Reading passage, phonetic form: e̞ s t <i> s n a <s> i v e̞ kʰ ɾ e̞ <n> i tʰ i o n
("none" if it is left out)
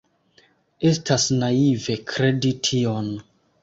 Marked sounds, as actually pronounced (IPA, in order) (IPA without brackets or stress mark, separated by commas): a, none, d